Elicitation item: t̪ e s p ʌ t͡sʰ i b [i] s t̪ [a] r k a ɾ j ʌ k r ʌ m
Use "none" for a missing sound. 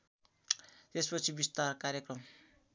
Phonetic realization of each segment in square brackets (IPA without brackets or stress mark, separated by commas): i, a